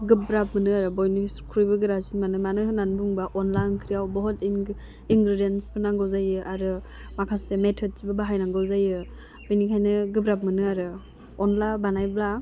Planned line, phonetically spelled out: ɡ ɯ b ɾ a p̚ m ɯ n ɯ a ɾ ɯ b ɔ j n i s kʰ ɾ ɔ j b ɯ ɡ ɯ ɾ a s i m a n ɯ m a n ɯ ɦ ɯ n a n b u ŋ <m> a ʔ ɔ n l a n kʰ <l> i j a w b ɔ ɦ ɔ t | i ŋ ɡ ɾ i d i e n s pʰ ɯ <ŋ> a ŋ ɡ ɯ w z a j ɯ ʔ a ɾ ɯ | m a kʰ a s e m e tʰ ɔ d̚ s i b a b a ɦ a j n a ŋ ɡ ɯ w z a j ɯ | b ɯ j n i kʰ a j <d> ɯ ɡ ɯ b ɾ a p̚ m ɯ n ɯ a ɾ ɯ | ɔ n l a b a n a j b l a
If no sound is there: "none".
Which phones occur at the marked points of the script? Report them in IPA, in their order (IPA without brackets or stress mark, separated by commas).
b, ɾ, n, n